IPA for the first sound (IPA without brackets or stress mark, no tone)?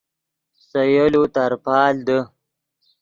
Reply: s